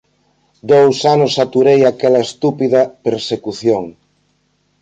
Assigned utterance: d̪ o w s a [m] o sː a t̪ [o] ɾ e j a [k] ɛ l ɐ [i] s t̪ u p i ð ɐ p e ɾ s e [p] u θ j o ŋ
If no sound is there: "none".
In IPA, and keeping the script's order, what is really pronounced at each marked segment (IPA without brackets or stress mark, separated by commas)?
n, u, k, e, k